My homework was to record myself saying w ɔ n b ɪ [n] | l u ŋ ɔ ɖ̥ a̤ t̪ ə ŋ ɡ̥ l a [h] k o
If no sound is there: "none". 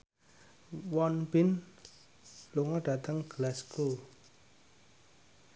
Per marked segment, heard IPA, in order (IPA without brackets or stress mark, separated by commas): n, s